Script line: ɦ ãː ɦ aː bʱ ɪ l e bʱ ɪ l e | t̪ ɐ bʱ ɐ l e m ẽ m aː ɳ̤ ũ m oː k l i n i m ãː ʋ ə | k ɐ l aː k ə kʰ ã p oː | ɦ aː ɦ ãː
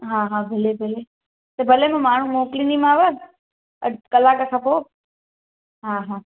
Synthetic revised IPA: ɦ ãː ɦ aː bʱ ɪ l e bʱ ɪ l e | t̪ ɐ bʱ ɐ l e m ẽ m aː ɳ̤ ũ m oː k l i n i m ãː ʋ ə | k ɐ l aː k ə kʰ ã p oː | ɦ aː ɦ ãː